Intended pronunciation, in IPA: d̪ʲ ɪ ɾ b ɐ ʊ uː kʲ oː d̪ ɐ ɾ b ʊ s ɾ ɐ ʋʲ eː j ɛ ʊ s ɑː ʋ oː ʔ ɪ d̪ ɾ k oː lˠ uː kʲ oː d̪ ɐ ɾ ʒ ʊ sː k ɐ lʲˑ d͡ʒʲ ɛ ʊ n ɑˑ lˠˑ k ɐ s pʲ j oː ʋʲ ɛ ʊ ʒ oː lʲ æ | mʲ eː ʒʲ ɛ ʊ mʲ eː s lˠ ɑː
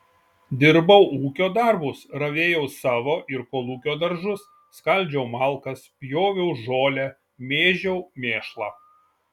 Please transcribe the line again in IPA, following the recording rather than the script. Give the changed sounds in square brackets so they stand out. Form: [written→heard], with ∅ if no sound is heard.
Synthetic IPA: d̪ʲ ɪ ɾ b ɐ ʊ uː kʲ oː d̪ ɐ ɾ b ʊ s ɾ ɐ ʋʲ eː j ɛ ʊ s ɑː ʋ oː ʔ ɪ [d̪→∅] ɾ k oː lˠ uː kʲ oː d̪ ɐ ɾ ʒ ʊ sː k ɐ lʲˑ d͡ʒʲ ɛ ʊ [n→m] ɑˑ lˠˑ k ɐ s pʲ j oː ʋʲ ɛ ʊ ʒ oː lʲ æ | mʲ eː ʒʲ ɛ ʊ mʲ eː [s→ʃ] lˠ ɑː